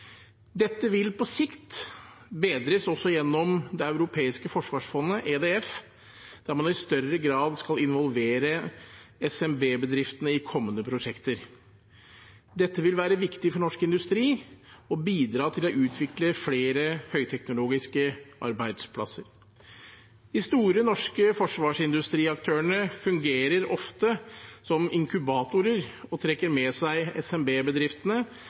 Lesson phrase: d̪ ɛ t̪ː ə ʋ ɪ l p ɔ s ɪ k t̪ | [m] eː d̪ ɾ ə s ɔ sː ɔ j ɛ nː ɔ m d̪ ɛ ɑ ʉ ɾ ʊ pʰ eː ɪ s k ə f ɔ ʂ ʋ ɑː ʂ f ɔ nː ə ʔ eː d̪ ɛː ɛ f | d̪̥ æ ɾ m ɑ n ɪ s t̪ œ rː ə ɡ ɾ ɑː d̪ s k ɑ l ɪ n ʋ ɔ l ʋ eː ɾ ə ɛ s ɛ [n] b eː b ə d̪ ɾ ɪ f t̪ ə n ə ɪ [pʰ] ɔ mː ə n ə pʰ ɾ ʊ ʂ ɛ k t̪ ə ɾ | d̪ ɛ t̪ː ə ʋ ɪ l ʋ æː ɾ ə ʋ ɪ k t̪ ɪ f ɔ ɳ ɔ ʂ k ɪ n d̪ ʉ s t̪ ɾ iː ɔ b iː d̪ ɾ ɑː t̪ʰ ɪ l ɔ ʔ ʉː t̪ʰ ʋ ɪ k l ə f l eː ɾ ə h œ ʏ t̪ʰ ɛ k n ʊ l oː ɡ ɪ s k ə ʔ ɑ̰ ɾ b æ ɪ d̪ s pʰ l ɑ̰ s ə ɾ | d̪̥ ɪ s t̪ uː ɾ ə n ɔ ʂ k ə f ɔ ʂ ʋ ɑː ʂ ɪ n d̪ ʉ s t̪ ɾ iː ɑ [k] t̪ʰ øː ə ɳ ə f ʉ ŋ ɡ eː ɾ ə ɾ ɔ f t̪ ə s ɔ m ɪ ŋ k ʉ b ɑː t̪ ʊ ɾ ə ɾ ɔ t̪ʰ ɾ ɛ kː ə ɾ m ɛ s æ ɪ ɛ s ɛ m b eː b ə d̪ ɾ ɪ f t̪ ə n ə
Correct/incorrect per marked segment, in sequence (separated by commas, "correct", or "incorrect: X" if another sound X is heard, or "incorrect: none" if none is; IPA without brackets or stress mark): incorrect: b, incorrect: m, incorrect: kʰ, correct